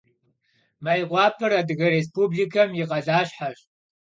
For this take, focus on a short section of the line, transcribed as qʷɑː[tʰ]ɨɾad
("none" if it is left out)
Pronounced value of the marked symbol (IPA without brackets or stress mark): pʰ